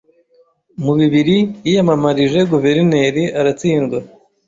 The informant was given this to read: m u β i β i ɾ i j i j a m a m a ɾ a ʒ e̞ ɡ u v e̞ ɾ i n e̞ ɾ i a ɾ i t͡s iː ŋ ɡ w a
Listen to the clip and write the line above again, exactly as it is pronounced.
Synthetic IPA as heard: m u β i β i ɾ i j i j a m a m a ɾ i ʒ e̞ ɡ u v e̞ ɾ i n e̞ ɾ i a ɾ a t͡s iː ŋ ɡ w a